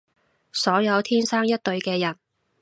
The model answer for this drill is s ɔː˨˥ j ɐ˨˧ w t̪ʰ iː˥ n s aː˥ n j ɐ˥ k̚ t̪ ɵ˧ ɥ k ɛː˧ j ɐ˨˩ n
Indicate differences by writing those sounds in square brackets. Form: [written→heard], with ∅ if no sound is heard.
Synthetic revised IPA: s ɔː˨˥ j ɐ˨˧ w t̪ʰ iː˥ n s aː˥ [n→ŋ] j ɐ˥ [k̚→t̚] t̪ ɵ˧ ɥ k ɛː˧ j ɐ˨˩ n